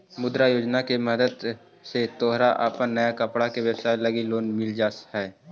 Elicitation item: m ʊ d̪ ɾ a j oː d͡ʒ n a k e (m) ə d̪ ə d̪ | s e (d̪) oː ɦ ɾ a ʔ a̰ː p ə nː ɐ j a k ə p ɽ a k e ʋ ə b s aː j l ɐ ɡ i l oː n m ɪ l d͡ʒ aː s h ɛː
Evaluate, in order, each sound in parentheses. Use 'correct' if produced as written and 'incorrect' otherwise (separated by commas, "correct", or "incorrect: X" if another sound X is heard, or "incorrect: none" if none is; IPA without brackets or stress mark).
correct, incorrect: t̪